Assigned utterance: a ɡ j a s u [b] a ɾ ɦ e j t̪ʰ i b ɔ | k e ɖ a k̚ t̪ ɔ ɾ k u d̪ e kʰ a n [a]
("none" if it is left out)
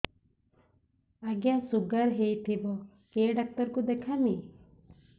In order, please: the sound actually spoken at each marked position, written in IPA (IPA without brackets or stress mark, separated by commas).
ɡ, i